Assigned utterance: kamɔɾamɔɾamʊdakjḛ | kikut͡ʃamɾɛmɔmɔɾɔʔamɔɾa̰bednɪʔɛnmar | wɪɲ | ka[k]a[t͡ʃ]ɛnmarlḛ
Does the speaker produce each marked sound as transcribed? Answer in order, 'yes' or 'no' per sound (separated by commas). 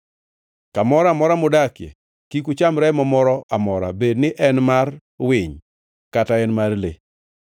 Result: no, no